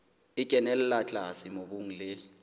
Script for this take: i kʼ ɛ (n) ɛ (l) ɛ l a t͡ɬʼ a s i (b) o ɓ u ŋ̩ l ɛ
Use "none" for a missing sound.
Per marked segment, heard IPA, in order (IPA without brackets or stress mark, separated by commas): n, l, m